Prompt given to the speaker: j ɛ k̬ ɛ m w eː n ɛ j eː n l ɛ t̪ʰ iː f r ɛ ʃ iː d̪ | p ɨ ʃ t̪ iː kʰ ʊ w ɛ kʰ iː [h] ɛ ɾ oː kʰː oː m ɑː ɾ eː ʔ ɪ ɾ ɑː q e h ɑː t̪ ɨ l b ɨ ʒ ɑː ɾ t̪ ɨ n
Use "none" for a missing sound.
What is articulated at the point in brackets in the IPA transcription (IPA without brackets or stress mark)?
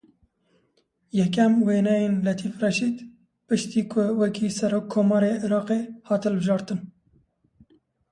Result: s